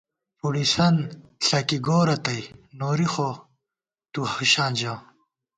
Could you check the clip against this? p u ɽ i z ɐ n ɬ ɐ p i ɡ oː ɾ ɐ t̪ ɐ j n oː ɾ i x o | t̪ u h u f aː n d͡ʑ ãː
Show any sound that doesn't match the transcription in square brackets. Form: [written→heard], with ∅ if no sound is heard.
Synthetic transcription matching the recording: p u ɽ i [z→s] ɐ n ɬ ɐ [p→k] i ɡ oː ɾ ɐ t̪ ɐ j n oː ɾ i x o | t̪ u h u [f→ɕ] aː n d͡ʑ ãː